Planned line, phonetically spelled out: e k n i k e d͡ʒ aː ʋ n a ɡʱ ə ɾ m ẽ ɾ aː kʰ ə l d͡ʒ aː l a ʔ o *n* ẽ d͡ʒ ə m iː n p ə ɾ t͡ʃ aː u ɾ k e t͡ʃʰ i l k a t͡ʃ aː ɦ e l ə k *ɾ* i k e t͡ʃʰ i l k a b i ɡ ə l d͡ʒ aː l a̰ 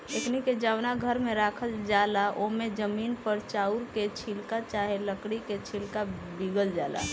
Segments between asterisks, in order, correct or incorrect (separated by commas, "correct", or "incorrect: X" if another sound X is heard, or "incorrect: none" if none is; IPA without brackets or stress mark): incorrect: m, incorrect: ɽ